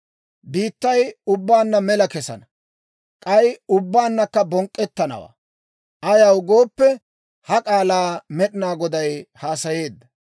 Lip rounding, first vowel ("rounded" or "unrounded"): unrounded